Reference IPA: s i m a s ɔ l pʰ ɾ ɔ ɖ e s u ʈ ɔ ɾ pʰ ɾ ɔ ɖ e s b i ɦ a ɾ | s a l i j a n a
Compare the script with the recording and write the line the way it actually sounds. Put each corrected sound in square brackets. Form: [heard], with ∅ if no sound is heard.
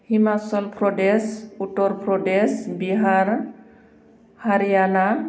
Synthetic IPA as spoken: [h] i m a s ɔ l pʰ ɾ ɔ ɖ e s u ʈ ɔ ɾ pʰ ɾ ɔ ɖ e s b i ɦ a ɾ | [h] a [ɾ] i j a n a